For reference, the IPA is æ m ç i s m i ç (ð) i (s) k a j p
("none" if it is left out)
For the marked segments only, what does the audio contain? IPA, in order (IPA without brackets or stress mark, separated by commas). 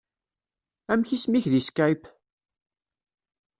ð, s